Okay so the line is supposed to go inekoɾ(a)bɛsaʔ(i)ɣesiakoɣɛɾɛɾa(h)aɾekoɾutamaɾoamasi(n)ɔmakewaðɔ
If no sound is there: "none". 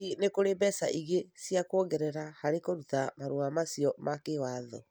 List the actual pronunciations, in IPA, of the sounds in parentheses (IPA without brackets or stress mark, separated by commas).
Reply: e, i, h, none